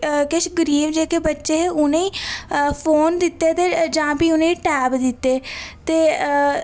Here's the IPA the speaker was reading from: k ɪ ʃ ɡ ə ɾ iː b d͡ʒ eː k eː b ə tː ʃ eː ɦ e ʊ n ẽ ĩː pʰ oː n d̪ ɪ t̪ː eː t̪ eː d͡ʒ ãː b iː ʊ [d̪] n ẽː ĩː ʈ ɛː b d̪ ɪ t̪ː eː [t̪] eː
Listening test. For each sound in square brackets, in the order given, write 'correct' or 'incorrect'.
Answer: incorrect: none, correct

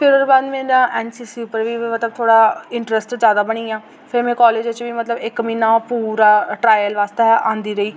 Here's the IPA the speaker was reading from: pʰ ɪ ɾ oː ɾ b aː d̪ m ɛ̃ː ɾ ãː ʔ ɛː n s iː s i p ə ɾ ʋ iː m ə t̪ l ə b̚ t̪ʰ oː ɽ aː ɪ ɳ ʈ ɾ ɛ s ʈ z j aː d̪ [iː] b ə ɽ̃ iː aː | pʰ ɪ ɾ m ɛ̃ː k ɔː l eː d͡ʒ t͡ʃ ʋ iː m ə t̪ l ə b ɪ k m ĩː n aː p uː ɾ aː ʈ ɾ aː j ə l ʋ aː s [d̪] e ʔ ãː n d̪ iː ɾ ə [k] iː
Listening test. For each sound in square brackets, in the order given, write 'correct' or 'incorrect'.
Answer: incorrect: aː, incorrect: t̪, incorrect: none

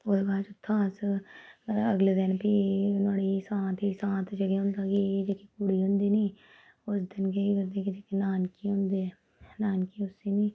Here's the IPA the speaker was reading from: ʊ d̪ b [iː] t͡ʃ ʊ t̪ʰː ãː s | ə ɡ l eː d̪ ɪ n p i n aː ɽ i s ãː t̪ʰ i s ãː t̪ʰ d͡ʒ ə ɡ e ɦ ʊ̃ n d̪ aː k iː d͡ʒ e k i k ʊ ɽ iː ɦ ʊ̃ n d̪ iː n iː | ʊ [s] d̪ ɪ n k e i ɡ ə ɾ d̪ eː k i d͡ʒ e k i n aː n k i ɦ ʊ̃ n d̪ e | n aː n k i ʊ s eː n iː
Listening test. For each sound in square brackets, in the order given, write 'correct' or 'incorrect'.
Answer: incorrect: aː, correct

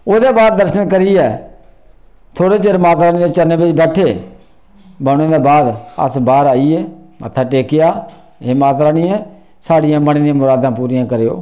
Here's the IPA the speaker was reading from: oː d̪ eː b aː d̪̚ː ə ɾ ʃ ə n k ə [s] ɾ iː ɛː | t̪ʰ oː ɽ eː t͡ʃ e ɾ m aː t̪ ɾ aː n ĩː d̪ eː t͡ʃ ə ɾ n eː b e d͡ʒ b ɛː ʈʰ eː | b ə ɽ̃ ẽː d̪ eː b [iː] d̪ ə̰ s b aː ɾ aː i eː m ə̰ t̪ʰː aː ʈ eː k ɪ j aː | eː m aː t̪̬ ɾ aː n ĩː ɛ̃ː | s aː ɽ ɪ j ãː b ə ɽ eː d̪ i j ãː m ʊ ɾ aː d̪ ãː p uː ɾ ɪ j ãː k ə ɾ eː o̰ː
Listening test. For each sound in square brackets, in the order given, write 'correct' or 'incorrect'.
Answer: incorrect: none, incorrect: aː

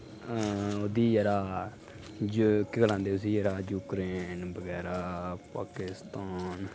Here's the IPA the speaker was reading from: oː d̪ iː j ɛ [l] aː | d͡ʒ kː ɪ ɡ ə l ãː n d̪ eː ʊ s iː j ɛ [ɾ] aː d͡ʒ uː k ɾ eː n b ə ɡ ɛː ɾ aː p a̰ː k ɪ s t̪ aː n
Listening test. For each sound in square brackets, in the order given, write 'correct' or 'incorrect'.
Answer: incorrect: ɾ, correct

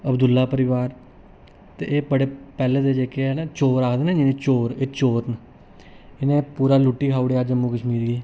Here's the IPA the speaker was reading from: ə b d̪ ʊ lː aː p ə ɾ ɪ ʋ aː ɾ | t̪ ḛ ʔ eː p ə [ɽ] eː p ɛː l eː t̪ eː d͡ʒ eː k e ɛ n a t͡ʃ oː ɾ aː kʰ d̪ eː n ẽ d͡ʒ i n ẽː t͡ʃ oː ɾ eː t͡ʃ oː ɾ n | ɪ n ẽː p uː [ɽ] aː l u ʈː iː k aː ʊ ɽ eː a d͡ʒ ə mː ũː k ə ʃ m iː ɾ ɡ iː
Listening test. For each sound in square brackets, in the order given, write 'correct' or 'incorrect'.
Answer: correct, incorrect: ɾ

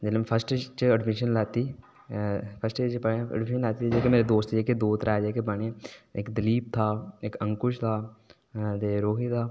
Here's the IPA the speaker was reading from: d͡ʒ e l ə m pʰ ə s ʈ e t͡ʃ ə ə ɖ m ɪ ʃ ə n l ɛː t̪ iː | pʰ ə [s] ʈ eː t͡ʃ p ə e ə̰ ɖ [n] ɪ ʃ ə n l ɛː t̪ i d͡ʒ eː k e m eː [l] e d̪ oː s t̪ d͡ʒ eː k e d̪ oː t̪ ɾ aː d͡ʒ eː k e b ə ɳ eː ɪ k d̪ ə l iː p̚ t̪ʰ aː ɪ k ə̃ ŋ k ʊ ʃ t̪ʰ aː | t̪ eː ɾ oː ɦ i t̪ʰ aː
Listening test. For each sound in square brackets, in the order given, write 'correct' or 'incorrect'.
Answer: correct, incorrect: m, incorrect: ɾ

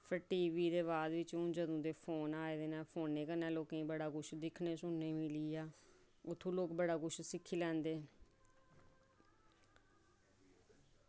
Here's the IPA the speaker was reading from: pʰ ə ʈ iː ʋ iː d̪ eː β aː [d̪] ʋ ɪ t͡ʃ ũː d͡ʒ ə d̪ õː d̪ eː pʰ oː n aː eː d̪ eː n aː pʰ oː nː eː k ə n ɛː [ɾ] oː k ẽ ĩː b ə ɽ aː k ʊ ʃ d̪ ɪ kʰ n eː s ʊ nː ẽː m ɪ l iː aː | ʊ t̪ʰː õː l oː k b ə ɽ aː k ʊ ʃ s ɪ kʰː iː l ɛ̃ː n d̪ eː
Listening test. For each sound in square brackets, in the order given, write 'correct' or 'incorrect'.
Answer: correct, incorrect: l

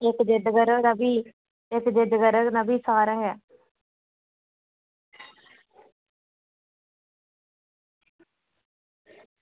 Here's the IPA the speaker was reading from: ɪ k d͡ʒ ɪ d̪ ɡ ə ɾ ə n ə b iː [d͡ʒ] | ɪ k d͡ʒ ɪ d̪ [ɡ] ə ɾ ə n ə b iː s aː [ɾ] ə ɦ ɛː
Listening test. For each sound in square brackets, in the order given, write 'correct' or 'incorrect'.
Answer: incorrect: none, correct, correct

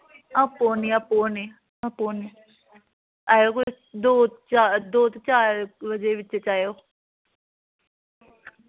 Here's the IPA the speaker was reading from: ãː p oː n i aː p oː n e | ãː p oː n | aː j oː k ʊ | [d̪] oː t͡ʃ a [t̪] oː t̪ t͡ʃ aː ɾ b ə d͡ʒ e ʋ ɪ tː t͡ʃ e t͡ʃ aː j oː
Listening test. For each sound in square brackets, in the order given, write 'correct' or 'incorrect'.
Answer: correct, incorrect: d̪

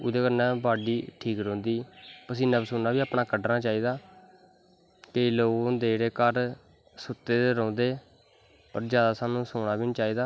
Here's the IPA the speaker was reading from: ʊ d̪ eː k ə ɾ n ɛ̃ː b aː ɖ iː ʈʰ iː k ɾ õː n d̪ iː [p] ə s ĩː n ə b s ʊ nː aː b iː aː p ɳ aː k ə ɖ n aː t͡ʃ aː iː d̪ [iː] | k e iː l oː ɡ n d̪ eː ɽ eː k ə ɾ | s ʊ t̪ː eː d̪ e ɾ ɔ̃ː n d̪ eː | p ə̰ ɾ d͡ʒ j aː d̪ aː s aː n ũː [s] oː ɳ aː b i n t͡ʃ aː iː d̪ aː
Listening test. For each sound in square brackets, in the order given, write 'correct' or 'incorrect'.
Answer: correct, incorrect: aː, correct

